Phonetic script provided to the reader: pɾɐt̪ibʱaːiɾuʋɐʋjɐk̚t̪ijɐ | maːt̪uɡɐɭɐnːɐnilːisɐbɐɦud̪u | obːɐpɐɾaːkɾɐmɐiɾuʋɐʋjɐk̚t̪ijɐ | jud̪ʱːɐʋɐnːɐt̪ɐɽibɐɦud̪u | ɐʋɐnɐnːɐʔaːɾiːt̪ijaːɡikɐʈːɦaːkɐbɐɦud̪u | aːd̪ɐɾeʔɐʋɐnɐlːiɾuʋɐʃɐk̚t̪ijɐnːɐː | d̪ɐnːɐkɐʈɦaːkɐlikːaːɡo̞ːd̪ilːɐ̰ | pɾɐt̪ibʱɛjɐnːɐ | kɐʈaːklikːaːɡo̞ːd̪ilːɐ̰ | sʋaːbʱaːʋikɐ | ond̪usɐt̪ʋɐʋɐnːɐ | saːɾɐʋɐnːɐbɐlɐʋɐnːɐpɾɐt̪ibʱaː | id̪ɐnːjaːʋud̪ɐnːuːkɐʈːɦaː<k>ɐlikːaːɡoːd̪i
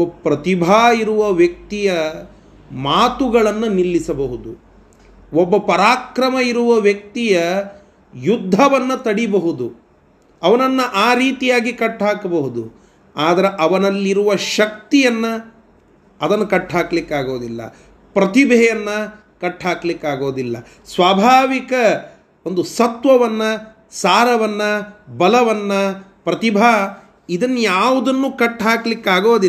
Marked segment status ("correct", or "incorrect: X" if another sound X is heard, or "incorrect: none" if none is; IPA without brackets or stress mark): correct